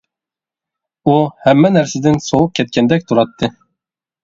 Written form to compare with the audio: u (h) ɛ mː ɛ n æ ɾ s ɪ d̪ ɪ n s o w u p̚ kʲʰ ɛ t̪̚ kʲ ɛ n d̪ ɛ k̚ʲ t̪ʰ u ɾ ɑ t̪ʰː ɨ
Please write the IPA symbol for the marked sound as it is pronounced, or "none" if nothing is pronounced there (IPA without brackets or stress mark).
h